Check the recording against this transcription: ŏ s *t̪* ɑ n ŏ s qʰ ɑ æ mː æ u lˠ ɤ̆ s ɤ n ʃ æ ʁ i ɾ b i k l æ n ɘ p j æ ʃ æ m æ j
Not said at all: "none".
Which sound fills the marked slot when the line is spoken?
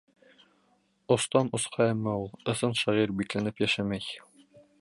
t̪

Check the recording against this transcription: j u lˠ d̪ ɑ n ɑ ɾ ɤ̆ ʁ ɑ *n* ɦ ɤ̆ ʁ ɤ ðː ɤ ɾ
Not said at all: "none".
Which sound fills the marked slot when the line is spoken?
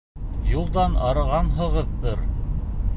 n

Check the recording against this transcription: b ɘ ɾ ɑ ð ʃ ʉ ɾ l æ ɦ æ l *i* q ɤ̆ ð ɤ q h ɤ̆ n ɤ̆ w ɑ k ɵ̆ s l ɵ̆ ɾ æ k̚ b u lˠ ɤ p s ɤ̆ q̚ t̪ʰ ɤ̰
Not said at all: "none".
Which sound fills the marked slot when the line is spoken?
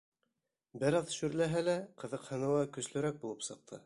æ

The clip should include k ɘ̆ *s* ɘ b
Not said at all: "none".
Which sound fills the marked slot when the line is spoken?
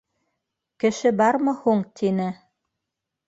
ʃ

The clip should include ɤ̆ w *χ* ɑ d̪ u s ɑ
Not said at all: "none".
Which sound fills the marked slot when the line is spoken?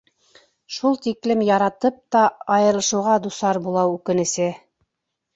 ʁ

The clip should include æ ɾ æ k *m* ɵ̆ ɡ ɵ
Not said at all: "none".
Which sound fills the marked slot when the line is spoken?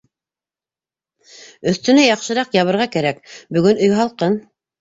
b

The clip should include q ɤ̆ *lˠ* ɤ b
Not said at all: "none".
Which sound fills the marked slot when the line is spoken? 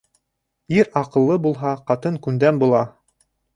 lˠː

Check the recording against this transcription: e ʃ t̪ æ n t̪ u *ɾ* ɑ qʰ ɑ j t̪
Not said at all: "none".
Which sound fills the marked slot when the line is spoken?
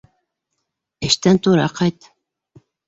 ɾ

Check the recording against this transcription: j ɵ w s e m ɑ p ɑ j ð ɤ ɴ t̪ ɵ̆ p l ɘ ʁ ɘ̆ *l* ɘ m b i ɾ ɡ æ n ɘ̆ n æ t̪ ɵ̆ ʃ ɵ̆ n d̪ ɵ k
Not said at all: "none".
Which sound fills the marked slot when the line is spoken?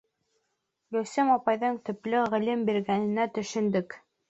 l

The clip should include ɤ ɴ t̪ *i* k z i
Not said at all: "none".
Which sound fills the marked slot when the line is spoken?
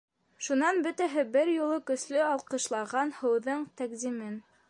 æ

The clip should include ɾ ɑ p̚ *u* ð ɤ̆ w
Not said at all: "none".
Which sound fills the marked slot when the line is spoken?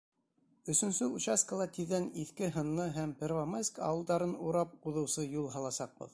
u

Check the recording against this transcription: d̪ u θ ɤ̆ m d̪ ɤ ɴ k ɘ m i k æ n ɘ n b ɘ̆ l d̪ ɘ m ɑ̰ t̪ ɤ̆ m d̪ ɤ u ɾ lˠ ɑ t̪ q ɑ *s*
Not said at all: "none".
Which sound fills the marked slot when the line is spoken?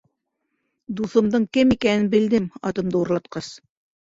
s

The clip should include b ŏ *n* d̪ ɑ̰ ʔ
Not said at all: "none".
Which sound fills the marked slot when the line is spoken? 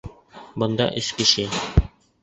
n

